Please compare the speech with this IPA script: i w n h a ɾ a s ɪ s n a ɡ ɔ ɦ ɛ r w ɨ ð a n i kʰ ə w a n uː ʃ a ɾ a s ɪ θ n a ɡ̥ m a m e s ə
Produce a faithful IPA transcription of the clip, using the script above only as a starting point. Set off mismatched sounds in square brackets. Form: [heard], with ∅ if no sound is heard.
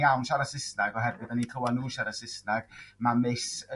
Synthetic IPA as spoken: [a] w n [ʃ] a ɾ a s ɪ s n a ɡ ɔ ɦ ɛ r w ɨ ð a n i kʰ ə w a n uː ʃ a ɾ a s ɪ [s] n a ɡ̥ m a m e s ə